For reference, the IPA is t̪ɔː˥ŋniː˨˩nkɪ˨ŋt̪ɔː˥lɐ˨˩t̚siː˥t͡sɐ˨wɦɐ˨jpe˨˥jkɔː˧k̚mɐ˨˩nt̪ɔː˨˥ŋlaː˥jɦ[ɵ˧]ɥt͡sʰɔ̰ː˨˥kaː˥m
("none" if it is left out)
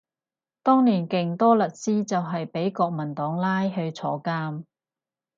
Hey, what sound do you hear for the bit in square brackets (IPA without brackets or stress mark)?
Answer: ɵ˧